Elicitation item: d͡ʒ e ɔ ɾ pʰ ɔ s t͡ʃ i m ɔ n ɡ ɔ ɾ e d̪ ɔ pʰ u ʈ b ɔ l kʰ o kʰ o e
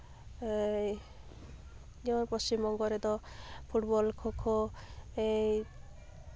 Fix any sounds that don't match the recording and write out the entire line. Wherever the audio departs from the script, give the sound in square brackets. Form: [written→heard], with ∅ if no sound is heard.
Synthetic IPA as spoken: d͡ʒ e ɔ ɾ [pʰ→p] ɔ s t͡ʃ i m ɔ [n→ŋ] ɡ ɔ ɾ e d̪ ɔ pʰ u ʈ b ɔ l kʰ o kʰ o e